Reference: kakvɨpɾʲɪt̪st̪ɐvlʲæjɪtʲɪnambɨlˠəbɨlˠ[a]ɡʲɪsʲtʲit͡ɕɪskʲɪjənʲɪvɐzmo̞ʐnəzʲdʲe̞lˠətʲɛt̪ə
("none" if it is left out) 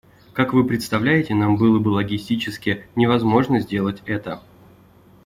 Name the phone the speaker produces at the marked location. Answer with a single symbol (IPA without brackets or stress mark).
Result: ə